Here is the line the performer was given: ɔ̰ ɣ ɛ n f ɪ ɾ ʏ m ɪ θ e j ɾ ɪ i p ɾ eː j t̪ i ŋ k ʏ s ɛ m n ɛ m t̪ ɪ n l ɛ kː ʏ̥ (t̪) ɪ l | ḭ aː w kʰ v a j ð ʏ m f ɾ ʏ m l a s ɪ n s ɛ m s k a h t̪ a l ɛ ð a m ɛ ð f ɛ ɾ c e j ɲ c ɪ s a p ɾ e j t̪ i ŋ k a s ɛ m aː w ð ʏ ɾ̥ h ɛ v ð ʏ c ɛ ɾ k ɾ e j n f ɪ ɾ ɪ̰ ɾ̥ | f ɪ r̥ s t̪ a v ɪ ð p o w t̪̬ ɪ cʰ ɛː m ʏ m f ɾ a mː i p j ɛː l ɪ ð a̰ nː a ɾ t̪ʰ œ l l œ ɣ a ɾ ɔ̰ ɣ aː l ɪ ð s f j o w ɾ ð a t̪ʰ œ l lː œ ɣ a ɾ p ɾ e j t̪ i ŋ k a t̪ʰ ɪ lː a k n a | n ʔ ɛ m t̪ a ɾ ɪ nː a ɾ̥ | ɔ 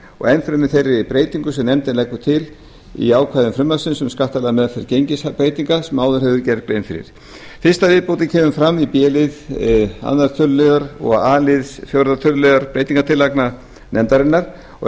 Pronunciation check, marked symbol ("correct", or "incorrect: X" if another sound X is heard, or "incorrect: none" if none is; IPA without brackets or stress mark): incorrect: t̪ʰ